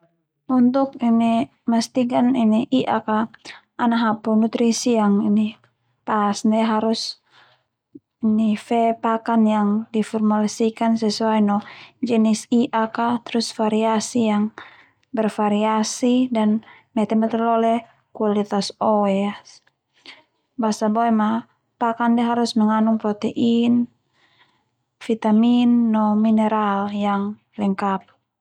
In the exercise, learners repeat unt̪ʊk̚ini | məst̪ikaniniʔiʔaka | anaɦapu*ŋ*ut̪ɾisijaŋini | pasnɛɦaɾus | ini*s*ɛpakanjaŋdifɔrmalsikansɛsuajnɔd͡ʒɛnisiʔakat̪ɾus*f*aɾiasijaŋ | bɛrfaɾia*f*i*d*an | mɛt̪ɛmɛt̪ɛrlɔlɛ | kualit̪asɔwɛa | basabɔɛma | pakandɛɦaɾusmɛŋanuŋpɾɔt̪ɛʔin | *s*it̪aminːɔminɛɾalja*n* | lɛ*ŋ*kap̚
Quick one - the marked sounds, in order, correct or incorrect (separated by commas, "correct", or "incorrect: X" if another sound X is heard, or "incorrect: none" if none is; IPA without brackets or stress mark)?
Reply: incorrect: n, incorrect: f, correct, incorrect: s, correct, incorrect: f, incorrect: ŋ, correct